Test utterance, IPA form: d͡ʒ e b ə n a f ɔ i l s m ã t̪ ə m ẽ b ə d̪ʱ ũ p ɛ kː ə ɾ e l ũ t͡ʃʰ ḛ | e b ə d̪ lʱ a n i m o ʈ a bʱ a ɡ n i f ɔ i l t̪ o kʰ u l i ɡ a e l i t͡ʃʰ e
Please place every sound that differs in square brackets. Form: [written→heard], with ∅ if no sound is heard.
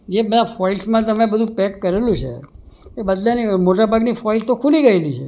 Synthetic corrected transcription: d͡ʒ e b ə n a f ɔ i l s m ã t̪ ə m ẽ b ə d̪ʱ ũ p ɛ kː ə ɾ e l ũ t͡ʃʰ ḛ | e b ə d̪ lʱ a n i m o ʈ a bʱ a ɡ n i f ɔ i l t̪ o kʰ u l i ɡ [a→ə] e l i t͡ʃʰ e